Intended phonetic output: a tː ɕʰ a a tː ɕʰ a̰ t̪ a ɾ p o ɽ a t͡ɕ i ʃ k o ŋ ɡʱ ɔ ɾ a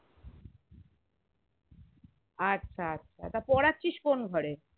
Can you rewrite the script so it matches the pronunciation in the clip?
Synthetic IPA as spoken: a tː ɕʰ a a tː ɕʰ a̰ t̪ a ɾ p ɔ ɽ a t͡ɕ i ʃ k o n ɡʱ ɔ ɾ e